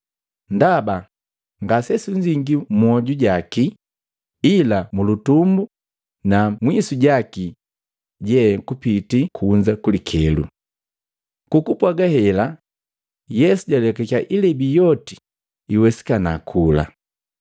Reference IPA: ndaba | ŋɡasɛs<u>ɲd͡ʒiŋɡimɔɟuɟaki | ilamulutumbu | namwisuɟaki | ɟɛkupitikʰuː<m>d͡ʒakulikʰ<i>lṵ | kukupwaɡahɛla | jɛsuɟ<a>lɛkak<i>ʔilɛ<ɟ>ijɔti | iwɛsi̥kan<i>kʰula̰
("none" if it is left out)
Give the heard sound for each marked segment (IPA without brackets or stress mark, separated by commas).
u, ɲ, ɛ, a, a, b, a